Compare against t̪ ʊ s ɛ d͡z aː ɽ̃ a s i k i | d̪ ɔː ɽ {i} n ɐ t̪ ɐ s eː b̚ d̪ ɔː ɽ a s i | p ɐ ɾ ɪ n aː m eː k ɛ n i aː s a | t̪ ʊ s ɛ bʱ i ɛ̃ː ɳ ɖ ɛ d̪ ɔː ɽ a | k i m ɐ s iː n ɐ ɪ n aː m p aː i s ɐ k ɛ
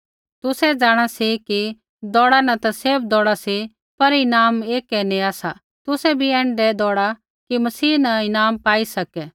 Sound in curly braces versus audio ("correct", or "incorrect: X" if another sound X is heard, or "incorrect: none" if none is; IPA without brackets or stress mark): incorrect: a